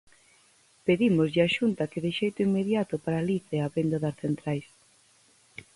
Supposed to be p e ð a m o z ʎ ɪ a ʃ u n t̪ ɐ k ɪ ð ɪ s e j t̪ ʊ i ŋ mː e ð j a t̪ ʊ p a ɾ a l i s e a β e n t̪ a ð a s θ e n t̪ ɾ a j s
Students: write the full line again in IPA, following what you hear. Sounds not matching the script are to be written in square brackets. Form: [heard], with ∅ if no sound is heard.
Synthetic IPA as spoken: p e ð [i] m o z ʎ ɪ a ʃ u n t̪ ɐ k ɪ ð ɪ [ʃ] e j t̪ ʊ i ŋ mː e ð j a t̪ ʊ p a ɾ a l i [θ] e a β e n [d̪] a ð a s θ e n t̪ ɾ a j s